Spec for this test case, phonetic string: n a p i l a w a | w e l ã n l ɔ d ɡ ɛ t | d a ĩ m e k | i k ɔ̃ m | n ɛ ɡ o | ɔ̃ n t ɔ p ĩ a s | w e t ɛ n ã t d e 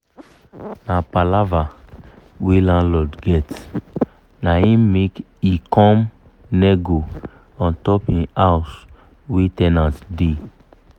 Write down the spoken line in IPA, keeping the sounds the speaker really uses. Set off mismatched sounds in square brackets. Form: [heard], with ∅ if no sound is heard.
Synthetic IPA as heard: n a p [a] l a [v] a | w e l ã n l ɔ d ɡ ɛ t | [n] a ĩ m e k | i k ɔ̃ m | n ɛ ɡ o | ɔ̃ n t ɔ p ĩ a s | w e t ɛ n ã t d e